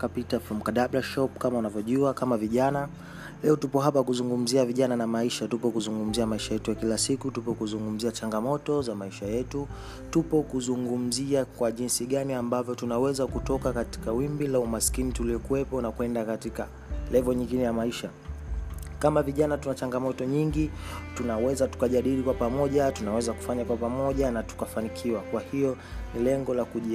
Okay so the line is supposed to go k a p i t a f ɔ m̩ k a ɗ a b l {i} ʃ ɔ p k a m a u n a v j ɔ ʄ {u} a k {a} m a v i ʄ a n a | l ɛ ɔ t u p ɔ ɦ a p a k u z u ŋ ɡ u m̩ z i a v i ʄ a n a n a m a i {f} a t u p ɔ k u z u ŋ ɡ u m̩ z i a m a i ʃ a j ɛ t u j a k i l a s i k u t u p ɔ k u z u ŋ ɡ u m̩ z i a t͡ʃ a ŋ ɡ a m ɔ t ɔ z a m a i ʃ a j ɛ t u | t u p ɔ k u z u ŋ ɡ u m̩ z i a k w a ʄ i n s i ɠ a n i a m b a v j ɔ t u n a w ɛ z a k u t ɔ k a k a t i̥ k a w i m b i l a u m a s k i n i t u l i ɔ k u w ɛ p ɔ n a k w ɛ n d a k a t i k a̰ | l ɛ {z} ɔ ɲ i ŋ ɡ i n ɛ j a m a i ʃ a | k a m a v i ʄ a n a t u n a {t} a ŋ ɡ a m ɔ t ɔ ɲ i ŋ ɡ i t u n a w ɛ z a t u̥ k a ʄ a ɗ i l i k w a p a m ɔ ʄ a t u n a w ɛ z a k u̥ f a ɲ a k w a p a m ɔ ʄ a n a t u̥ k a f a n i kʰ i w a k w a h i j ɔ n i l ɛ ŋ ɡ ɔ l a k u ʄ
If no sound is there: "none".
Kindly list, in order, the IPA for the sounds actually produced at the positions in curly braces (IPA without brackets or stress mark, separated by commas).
a, u, a, ʃ, v, t͡ʃ